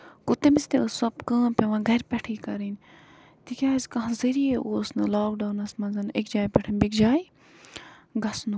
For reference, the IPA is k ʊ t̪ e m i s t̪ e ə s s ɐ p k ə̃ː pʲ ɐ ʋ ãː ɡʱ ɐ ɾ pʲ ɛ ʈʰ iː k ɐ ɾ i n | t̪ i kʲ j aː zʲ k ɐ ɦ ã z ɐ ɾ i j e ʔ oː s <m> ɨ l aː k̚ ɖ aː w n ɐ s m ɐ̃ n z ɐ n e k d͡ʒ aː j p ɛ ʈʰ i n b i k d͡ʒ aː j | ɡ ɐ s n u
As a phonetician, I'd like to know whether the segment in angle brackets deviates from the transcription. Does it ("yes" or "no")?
yes